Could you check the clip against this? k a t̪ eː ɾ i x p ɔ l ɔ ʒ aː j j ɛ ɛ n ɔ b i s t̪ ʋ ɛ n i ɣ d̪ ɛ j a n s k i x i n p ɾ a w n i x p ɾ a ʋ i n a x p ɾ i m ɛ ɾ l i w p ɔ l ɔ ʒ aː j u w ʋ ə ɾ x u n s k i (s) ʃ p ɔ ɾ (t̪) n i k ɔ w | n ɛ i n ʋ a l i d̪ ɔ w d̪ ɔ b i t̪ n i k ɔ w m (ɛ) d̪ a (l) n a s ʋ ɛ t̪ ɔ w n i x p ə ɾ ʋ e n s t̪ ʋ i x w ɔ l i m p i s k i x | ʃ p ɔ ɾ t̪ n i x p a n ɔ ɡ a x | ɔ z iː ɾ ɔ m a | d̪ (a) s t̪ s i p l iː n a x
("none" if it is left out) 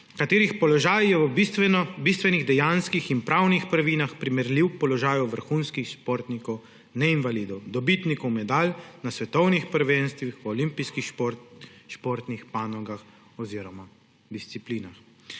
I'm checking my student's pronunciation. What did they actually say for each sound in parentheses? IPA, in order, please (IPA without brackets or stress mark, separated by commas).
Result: x, t̪, ɛ, l, i